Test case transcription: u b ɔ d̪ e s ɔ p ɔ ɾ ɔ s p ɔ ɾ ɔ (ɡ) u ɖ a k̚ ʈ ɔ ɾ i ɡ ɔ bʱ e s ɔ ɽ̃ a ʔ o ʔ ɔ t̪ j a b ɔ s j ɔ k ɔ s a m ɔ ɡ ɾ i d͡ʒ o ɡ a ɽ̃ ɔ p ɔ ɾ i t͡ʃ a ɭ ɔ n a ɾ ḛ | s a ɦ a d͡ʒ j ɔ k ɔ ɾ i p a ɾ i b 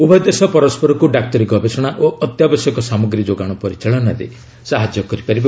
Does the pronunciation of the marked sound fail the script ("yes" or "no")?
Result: yes